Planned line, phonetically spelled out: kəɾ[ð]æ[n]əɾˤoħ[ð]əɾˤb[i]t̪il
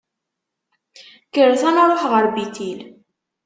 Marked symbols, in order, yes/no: no, yes, no, yes

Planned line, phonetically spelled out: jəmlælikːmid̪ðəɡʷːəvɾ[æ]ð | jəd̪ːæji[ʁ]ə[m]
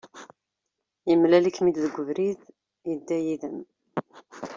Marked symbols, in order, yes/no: no, no, yes

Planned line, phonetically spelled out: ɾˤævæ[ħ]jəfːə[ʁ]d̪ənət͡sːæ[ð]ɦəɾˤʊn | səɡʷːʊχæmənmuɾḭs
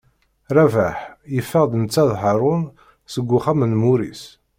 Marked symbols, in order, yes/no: yes, yes, yes

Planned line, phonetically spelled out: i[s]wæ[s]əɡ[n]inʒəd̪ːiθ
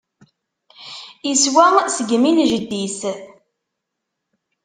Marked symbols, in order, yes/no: yes, yes, no

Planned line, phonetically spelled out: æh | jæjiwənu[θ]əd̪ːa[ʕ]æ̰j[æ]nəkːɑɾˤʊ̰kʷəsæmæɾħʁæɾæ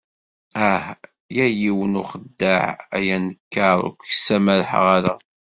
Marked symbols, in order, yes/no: no, yes, yes

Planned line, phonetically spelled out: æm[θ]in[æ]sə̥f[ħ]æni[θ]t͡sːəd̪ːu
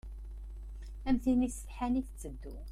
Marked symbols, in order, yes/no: yes, no, yes, yes

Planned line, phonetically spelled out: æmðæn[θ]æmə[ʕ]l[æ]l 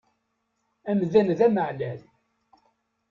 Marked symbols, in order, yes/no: no, yes, yes

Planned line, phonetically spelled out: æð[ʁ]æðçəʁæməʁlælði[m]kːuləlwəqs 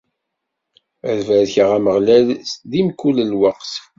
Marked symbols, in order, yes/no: no, yes

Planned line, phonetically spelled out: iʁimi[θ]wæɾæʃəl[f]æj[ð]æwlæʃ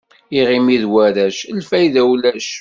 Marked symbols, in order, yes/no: no, yes, yes

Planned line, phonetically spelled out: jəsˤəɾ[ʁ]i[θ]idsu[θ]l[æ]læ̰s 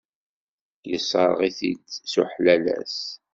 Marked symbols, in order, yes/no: yes, yes, no, yes

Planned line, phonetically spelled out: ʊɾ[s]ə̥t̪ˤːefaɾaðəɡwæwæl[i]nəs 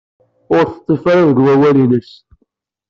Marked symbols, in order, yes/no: no, yes

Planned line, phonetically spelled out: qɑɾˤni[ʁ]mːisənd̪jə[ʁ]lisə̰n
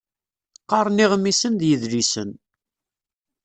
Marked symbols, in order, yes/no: yes, no

